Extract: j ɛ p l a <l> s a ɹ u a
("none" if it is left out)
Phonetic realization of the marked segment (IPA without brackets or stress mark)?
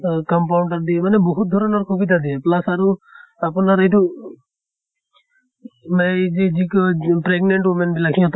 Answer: none